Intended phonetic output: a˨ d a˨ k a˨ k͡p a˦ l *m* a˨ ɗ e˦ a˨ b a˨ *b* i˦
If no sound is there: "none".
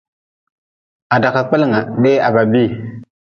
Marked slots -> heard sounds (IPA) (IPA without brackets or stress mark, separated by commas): ŋ, b